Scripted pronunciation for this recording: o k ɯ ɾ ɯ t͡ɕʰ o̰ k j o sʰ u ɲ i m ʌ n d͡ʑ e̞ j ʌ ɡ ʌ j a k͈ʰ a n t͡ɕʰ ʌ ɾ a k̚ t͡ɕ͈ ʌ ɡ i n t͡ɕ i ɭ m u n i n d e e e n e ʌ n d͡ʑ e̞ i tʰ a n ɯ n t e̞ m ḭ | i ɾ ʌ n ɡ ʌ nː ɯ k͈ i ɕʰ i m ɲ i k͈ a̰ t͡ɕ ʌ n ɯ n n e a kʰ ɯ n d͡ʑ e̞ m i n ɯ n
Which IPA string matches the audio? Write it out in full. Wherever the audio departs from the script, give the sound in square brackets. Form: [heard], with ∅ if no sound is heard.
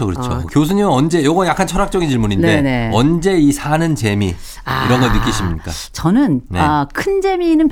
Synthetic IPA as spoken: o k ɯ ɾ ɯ t͡ɕʰ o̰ k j o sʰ u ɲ i m ʌ n d͡ʑ e̞ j ʌ ɡ ʌ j a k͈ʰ a n t͡ɕʰ ʌ ɾ a k̚ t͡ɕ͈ ʌ ɡ i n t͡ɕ i ɭ m u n i n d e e e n e ʌ n d͡ʑ e̞ i [sʰ] a n ɯ n [t͡ɕ] e̞ m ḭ | i ɾ ʌ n ɡ ʌ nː ɯ k͈ i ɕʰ i m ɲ i k͈ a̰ t͡ɕ ʌ n ɯ n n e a kʰ ɯ n d͡ʑ e̞ m i n ɯ n